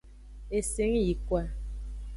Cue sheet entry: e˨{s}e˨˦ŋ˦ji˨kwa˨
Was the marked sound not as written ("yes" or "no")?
no